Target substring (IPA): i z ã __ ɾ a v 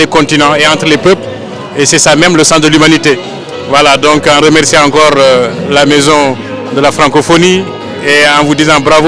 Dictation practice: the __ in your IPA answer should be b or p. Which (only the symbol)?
b